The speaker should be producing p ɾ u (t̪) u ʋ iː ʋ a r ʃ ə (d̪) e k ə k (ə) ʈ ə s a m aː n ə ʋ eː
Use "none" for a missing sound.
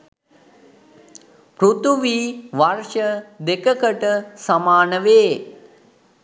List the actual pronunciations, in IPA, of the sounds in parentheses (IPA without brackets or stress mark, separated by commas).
t̪, d̪, ə